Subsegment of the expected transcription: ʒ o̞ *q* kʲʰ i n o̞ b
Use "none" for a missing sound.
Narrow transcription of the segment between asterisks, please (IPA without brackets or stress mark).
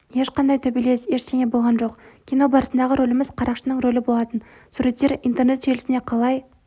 q